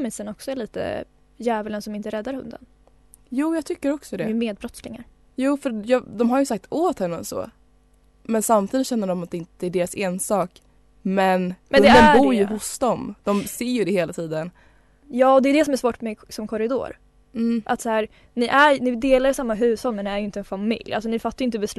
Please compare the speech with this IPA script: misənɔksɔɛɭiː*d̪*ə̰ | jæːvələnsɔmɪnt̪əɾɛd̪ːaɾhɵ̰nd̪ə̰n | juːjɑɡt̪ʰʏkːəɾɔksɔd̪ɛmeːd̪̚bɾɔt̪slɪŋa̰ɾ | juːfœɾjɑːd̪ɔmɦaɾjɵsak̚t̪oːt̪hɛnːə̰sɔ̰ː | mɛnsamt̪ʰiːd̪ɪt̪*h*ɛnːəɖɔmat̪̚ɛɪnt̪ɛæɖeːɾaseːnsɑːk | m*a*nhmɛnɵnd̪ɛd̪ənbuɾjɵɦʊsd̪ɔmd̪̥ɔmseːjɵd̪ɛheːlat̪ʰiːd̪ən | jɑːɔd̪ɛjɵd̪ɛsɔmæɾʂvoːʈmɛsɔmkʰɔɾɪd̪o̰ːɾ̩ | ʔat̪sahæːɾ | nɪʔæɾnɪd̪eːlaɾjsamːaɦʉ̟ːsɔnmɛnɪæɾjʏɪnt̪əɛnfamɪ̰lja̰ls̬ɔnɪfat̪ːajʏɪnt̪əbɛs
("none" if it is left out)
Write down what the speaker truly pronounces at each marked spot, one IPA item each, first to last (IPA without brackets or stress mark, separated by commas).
t̪, ɕ, ɛ